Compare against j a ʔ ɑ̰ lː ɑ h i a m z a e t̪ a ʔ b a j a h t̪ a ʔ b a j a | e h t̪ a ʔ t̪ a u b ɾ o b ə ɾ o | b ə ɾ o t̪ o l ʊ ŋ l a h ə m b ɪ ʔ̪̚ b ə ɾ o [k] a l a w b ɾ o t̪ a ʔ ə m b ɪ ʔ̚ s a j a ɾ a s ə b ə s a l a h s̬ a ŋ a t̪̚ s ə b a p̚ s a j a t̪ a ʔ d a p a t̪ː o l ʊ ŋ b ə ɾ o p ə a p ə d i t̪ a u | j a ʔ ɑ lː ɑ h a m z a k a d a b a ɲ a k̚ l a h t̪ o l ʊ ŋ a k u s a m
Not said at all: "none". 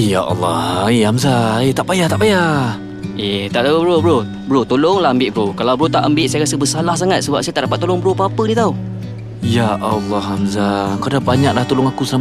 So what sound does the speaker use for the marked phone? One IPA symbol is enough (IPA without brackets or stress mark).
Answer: k